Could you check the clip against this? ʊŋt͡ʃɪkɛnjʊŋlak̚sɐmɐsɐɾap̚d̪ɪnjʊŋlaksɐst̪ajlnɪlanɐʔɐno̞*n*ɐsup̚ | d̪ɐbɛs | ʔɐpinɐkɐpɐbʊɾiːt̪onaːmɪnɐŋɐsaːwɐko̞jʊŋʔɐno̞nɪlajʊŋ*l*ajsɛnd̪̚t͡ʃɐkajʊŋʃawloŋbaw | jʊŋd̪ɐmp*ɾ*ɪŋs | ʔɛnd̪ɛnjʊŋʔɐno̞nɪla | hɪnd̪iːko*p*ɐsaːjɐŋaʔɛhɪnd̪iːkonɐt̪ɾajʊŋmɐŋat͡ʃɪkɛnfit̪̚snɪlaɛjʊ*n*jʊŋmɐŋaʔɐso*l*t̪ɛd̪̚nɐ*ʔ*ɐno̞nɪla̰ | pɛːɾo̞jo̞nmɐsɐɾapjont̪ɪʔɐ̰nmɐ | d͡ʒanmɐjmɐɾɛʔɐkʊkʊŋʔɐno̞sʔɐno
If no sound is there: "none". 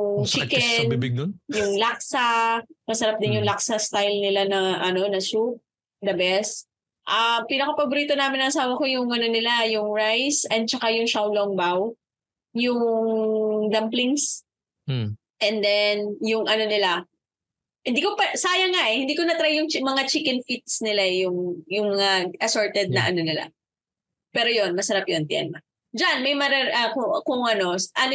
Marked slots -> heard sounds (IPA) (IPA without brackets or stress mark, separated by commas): n, ɹ, l, p, ŋ, ɹ, ʔ